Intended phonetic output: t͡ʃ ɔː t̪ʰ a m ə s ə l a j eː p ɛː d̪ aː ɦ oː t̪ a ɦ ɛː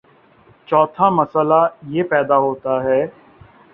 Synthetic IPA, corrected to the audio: t͡ʃ ɔː t̪ʰ a m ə s ə l a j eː p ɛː d̪ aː ɦ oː t̪ a ɦ ɛː